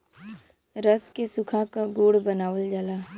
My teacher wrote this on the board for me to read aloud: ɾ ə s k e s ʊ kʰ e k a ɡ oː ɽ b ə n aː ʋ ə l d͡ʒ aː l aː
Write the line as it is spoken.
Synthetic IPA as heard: ɾ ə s k e s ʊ kʰ a k a ɡ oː ɽ b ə n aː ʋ ə l d͡ʒ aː l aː